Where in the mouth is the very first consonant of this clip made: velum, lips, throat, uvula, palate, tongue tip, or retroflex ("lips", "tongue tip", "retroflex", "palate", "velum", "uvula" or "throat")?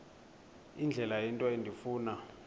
tongue tip